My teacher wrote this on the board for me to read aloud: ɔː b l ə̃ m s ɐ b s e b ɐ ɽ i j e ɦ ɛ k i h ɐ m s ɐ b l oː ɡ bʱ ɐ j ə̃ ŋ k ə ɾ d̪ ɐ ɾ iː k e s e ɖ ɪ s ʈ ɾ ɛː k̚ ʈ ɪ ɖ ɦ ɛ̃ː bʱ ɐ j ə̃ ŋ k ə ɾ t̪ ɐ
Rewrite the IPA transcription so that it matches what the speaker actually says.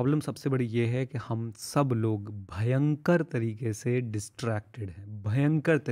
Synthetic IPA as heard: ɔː b l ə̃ m s ɐ b s e b ɐ ɽ i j e ɦ ɛ k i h ɐ m s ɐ b l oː ɡ bʱ ɐ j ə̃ ŋ k ə ɾ t̪ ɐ ɾ iː k e s e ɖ ɪ s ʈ ɾ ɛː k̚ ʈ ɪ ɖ ɦ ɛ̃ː bʱ ɐ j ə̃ ŋ k ə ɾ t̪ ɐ